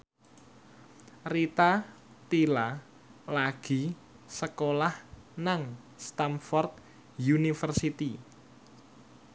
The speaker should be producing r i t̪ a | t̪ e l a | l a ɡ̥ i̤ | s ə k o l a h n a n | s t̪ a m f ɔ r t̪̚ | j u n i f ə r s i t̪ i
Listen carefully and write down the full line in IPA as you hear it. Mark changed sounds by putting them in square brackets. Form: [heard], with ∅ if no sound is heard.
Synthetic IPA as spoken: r i t̪ a | t̪ [i] l a | l a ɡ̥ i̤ | s ə k o l a h n a [ŋ] | s t̪ a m f ɔ r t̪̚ | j u n i f ə r s i t̪ i